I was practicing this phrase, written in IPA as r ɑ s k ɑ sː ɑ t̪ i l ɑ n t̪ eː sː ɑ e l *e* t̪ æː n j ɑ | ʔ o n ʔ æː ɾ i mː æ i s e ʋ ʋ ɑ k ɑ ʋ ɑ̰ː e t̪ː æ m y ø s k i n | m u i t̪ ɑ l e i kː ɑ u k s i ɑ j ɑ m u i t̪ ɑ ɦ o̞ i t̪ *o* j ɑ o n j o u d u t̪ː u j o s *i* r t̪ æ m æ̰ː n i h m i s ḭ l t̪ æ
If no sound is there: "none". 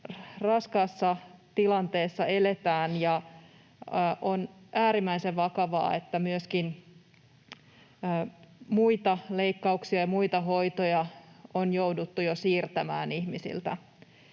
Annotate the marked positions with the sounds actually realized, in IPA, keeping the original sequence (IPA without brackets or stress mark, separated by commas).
e, o, iː